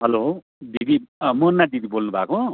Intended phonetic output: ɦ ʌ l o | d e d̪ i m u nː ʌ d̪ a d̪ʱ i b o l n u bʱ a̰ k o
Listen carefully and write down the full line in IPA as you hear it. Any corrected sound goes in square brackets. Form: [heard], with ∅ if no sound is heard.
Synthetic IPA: ɦ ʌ l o | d [i] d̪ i m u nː [a] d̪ [i] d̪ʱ i b o l n u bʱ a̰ k o